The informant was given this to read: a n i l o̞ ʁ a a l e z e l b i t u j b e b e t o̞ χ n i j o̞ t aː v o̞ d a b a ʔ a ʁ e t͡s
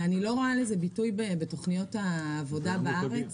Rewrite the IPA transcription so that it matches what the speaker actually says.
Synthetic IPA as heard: a n i l o̞ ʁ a a l e z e b i t u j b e b e t o̞ χ n i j o̞ t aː v o̞ d a b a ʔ a ʁ e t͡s